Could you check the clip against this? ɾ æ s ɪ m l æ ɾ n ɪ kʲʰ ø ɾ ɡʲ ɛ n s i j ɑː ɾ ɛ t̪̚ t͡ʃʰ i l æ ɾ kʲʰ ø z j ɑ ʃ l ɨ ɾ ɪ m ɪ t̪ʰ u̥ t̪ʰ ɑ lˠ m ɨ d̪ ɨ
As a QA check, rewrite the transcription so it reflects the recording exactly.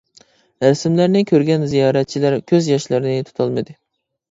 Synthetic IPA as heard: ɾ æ s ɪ m l æ ɾ n ɪ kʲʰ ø ɾ ɡʲ ɛ n z i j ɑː ɾ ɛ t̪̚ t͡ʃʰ i l æ ɾ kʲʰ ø z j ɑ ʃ l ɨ ɾ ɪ n ɪ t̪ʰ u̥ t̪ʰ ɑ lˠ m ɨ d̪ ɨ

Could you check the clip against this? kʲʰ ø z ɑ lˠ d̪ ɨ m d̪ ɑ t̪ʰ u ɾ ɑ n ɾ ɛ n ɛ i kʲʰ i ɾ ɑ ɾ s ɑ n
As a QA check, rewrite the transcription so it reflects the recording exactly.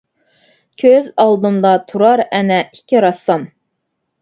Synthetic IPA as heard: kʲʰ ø z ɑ lˠ d̪ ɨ m d̪ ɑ t̪ʰ u ɾ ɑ ɾ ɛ n ɛ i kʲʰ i ɾ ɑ s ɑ m

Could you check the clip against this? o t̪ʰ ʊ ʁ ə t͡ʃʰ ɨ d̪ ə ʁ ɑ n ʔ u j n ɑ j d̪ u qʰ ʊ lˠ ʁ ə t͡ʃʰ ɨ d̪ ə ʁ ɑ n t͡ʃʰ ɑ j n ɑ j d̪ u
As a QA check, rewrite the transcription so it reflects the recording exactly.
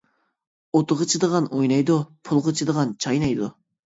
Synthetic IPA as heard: o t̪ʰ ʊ ʁ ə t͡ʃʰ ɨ d̪ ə ʁ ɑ n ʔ o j n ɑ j d̪ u pʰ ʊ lˠ ʁ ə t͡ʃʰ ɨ d̪ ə ʁ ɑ n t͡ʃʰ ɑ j n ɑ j d̪ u

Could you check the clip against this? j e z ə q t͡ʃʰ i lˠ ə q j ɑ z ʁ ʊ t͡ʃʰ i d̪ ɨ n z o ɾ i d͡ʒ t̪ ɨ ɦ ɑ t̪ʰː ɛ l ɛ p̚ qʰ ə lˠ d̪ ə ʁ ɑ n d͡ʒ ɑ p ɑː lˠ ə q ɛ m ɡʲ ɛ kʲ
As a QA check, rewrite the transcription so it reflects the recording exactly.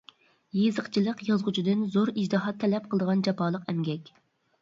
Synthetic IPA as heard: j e z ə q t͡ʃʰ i lˠ ə q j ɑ z ʁ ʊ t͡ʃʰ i d̪ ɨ n z o ɾ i d͡ʒ d̪ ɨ ɦ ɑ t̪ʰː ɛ l ɛ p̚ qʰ ə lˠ d̪ ə ʁ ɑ n d͡ʒ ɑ p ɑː lˠ ə q ɛ m ɡʲ ɛ kʲ

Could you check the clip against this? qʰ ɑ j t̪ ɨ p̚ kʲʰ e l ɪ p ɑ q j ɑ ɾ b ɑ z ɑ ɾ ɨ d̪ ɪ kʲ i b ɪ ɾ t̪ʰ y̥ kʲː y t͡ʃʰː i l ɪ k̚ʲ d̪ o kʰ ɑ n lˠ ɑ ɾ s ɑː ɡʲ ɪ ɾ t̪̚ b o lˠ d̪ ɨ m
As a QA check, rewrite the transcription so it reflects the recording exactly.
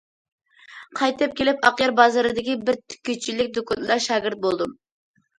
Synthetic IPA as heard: qʰ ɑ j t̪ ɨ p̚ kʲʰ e l ɪ p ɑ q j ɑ ɾ b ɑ z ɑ ɾ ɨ d̪ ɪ kʲ i b ɪ ɾ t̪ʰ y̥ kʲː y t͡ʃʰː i l ɪ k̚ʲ d̪ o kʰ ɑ n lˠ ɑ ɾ ʃ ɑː ɡʲ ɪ ɾ t̪̚ b o lˠ d̪ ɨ m

